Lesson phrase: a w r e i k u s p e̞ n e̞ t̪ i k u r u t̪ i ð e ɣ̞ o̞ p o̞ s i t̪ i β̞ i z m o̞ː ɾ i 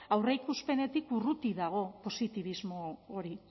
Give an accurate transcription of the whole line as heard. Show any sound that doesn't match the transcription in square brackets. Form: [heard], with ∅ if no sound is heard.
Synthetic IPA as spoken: a w r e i k u s p e̞ n e̞ t̪ i k u r u t̪ i ð [a] ɣ̞ o̞ p o̞ s i t̪ i β̞ i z m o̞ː ɾ i